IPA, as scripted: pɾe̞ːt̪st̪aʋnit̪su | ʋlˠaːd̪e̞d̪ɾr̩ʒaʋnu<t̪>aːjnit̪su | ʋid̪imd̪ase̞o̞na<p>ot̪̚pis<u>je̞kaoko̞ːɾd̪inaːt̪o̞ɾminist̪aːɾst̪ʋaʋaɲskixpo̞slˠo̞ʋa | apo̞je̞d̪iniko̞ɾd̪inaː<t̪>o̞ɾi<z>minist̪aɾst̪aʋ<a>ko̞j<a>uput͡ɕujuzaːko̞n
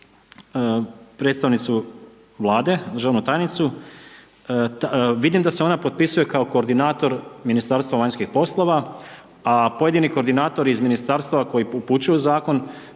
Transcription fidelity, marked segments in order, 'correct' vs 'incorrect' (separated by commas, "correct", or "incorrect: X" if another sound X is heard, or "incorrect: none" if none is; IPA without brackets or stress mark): correct, correct, correct, correct, correct, correct, incorrect: i